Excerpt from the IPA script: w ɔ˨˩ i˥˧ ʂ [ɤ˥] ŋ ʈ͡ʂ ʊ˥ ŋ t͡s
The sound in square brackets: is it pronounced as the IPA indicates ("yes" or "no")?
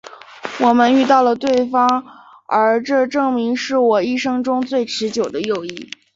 yes